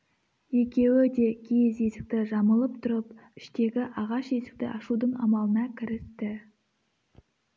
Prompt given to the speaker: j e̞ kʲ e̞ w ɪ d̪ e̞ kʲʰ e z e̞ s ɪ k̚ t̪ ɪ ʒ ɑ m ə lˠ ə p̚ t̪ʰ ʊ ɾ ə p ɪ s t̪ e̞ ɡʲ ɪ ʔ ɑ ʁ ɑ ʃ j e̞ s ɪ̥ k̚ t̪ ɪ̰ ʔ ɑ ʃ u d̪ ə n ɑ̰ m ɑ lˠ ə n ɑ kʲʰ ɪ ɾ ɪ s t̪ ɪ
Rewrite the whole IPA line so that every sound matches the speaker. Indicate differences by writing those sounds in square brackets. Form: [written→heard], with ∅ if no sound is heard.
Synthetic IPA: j e̞ kʲ e̞ w ɪ d̪ e̞ kʲʰ e z e̞ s ɪ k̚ t̪ ɪ ʒ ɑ m ə lˠ ə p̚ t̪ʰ ʊ ɾ ə p ɪ [s→ʃ] t̪ e̞ ɡʲ ɪ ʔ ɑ ʁ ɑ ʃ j e̞ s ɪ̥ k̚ t̪ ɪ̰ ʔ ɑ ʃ u d̪ ə [n→ɴ] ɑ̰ m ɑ lˠ ə n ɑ kʲʰ ɪ ɾ ɪ s t̪ ɪ